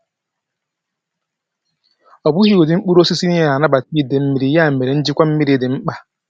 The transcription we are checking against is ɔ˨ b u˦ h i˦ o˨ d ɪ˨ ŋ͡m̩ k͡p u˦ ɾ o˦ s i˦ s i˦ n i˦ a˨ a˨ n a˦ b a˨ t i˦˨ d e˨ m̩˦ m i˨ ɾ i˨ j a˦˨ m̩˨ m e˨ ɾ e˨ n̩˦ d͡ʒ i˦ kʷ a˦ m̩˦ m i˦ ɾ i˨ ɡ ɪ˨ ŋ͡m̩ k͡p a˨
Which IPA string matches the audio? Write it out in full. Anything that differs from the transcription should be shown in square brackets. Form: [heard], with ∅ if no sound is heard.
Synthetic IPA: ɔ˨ b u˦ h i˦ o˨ d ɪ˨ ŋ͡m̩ k͡p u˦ ɾ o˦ s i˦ s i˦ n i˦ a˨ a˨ n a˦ b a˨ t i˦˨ d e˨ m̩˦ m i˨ ɾ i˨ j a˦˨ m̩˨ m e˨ ɾ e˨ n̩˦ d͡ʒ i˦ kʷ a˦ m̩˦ m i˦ ɾ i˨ [d] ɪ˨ ŋ͡m̩ k͡p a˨